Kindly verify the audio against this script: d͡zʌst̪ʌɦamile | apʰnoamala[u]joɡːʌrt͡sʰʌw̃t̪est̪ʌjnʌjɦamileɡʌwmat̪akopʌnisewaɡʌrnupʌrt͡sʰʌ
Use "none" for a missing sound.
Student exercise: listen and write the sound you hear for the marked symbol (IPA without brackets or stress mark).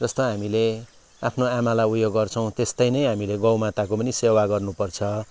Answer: u